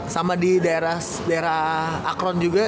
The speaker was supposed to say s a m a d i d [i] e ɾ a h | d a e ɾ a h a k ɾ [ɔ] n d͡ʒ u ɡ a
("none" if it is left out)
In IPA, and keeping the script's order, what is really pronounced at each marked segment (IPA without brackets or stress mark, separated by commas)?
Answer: a, ɔ